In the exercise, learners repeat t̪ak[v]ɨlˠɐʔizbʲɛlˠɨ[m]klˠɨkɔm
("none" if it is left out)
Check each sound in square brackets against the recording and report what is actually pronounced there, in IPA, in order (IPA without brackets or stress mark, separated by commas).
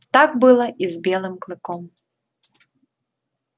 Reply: b, m